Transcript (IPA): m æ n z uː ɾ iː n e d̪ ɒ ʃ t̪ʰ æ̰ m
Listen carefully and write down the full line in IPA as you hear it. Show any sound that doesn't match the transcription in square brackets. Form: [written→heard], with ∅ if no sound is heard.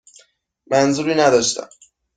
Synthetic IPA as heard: m æ n z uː ɾ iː n [e→æ] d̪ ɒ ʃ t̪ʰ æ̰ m

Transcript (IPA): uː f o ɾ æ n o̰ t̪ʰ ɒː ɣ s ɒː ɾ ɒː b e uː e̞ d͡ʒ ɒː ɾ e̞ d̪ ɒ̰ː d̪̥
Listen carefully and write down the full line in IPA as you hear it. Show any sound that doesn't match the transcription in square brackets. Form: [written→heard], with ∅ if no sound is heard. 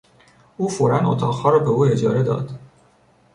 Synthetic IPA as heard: uː f o ɾ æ n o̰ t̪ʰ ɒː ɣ [s→h] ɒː ɾ ɒː b e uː e̞ d͡ʒ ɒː ɾ e̞ d̪ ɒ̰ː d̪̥

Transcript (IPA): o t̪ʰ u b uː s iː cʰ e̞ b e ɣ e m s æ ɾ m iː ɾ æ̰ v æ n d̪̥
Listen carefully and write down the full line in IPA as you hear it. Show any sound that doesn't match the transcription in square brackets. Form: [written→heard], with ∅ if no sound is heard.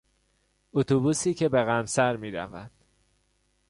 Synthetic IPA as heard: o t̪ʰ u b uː s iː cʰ e̞ b e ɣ [e→æ] m s æ ɾ m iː ɾ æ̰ v æ n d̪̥

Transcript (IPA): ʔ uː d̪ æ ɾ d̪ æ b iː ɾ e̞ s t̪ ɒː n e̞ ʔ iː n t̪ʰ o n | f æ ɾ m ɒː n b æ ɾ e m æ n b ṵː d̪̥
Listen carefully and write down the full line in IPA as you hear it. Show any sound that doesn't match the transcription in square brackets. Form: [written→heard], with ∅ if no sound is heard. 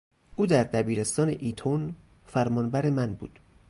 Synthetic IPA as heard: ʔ uː d̪ æ ɾ d̪ æ b iː ɾ e̞ s t̪ ɒː n e̞ ʔ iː [n→∅] t̪ʰ o n | f æ ɾ m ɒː n b æ ɾ e m æ n b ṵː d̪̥

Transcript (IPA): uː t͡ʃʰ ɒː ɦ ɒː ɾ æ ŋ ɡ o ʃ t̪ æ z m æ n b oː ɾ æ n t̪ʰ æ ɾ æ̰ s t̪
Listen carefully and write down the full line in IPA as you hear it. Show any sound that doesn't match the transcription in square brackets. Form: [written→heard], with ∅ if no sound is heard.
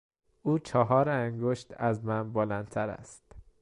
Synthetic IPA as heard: uː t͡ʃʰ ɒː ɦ ɒː ɾ æ ŋ ɡ o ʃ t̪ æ z m æ n b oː [ɾ→l] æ n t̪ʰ æ ɾ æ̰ s t̪

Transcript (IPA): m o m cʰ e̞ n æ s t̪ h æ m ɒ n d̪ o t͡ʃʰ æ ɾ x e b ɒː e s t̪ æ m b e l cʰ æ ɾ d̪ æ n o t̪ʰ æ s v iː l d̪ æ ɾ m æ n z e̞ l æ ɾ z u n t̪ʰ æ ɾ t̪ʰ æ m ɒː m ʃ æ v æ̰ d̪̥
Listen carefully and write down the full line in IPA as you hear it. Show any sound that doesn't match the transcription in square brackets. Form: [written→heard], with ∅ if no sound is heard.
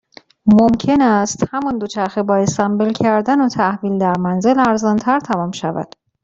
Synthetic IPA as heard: m o m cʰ e̞ n æ s t̪ h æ m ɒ n d̪ o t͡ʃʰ æ ɾ x e b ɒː e s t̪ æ m b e l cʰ æ ɾ d̪ æ n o t̪ʰ æ [s→h] v iː l d̪ æ ɾ m æ n z e̞ l æ ɾ z [u→ɒ] n t̪ʰ æ ɾ t̪ʰ æ m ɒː m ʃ æ v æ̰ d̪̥

